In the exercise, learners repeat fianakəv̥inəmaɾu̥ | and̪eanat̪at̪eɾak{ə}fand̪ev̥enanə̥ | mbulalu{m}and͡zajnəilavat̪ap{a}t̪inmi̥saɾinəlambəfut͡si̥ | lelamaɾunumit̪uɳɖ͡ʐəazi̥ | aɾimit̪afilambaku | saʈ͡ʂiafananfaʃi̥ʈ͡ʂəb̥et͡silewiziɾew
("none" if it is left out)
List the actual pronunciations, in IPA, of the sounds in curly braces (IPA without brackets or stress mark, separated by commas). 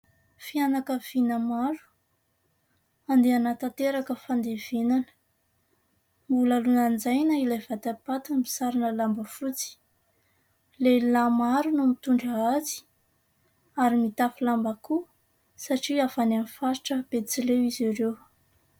ə, n, a